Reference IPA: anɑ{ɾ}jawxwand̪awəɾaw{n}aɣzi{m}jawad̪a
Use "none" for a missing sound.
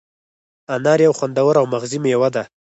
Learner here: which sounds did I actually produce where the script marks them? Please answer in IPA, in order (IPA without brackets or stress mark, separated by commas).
ɾ, m, m